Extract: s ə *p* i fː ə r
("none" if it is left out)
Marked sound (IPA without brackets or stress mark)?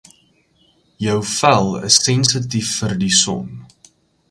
t